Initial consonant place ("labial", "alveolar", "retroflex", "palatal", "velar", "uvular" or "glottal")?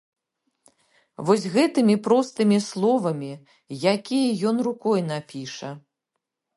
labial